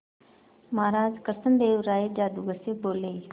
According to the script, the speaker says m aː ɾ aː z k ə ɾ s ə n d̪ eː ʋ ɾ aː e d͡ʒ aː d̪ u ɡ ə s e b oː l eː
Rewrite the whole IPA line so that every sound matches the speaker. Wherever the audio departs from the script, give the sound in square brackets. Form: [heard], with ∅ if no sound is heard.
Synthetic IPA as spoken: m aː ɾ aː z k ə ɾ s ə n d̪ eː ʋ ɾ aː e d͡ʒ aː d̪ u ɡ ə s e b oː l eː